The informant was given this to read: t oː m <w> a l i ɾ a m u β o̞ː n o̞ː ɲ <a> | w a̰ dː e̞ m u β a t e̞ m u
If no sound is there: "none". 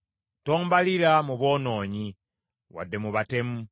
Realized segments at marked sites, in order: b, i

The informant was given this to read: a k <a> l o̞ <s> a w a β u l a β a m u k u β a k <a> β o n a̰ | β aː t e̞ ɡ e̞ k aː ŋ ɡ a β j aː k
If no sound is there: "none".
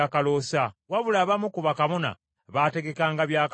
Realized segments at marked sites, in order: a, s, a

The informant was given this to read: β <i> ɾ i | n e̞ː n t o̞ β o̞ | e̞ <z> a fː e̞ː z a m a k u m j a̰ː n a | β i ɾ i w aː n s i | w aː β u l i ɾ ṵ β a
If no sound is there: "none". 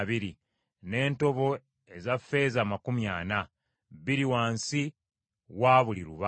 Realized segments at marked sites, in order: i, z

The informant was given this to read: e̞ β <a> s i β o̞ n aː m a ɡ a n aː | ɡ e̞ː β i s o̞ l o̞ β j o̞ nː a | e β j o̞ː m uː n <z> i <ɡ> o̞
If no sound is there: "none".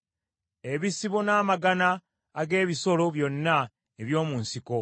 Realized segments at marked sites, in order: i, s, k

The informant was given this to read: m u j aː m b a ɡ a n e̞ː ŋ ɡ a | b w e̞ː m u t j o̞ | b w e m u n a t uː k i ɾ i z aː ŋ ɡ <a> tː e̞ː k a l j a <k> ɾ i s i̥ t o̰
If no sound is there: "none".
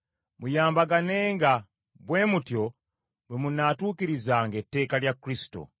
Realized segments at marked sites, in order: e, k

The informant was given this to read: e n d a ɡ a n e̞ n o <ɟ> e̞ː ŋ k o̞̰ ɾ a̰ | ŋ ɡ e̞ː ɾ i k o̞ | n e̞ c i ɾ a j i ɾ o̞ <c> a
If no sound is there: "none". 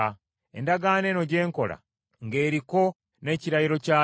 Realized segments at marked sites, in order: ɟ, c

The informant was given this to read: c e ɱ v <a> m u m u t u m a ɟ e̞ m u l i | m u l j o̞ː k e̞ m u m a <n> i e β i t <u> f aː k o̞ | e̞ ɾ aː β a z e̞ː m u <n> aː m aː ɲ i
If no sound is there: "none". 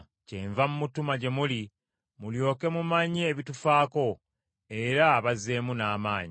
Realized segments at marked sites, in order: a, ɲ, u, n

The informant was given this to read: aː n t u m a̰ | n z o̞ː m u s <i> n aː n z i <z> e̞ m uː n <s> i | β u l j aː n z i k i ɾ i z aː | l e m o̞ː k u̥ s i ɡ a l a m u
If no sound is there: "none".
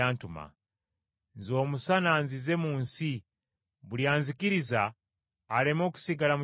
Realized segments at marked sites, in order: a, z, s

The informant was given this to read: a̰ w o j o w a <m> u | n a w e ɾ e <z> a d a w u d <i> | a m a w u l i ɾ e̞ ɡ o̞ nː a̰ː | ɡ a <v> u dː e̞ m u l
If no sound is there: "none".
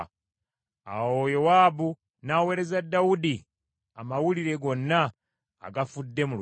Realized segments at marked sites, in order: b, z, i, f

